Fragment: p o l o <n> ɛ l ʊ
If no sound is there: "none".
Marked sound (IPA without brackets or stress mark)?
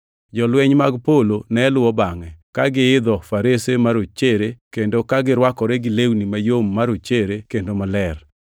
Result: n